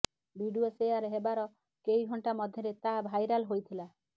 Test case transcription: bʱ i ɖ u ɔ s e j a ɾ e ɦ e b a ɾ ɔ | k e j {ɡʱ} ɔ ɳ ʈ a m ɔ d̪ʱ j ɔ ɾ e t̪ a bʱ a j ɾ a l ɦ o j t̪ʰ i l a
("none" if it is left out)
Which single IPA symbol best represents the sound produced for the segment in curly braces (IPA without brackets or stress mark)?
ɡʱ